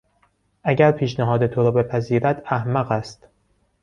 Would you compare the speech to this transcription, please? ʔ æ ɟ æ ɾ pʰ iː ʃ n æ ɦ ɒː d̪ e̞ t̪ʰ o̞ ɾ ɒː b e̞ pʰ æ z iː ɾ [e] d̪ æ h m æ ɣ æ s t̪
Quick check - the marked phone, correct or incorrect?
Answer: incorrect